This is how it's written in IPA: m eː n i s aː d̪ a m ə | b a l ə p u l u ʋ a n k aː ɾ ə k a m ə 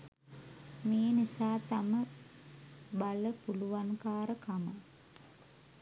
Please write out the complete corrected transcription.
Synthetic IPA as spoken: m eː n i s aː t̪ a m ə | b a l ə p u l u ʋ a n k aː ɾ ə k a m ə